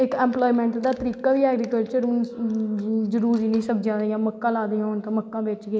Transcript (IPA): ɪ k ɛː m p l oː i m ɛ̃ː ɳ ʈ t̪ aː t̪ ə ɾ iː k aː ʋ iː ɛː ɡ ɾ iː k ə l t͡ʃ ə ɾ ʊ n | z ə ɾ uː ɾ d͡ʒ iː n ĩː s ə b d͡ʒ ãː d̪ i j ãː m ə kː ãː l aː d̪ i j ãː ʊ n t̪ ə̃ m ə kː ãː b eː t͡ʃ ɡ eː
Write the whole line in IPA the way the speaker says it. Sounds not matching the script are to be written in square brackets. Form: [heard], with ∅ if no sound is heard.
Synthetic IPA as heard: ɪ k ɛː m p l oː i m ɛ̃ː ɳ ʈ [d̪] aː t̪ ə ɾ iː k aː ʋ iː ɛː ɡ ɾ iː k ə l t͡ʃ ə ɾ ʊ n | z ə ɾ uː ɾ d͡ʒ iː n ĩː s ə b d͡ʒ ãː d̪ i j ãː m ə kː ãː l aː d̪ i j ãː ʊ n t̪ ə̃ m ə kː ãː b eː t͡ʃ ɡ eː